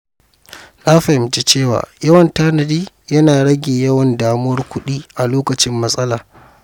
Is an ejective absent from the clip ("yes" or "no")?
no